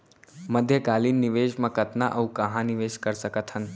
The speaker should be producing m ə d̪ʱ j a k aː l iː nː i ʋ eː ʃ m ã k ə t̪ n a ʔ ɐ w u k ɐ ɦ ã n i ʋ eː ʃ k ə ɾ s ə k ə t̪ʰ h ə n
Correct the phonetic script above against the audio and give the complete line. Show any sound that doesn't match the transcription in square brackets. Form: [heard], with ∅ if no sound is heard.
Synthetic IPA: m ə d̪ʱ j [ə] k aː l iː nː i ʋ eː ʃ m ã k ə t̪ n a ʔ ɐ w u k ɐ ɦ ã n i ʋ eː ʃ k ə ɾ s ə k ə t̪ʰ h ə n

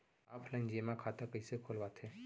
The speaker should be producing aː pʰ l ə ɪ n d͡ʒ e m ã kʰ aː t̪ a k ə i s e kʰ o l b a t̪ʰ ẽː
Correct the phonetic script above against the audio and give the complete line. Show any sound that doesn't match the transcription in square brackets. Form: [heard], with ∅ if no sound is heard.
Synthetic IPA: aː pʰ l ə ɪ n d͡ʒ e m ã kʰ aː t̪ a k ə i s e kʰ o l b a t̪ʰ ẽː

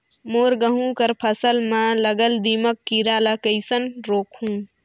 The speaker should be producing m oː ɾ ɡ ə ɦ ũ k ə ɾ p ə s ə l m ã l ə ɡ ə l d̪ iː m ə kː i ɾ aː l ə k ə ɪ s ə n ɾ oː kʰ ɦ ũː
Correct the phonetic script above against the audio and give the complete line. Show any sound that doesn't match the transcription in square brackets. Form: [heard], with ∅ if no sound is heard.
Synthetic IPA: m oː ɾ ɡ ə ɦ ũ k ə ɾ [pʰ] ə s ə l m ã l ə ɡ ə l d̪ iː m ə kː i ɾ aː l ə k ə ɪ s ə n ɾ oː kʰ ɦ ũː

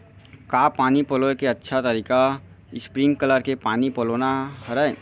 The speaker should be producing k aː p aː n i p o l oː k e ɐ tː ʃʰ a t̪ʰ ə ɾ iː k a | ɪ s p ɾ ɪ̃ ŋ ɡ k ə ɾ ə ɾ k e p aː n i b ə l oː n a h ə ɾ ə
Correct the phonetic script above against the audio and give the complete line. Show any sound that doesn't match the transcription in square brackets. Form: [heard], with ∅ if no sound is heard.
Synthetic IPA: k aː p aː n i p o l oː k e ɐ tː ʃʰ a [t̪] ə ɾ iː k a | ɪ s p ɾ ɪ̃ ŋ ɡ k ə [l] ə ɾ k e p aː n i [p] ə l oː n a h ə ɾ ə

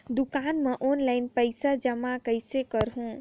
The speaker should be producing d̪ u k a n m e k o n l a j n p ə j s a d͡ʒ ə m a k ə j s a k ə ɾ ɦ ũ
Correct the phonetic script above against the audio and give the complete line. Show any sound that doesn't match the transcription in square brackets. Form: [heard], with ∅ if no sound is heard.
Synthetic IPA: d̪ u k a n m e [ʔ] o n l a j n p ə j s a d͡ʒ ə m a k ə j s [e] k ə ɾ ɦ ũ

